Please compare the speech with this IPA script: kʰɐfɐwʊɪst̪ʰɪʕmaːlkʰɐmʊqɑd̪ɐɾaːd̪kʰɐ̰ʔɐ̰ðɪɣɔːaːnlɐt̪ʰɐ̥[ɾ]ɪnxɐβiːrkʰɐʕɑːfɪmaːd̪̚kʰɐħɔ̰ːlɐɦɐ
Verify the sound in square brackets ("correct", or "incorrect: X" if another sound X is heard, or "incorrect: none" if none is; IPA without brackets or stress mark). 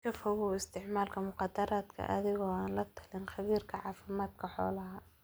incorrect: l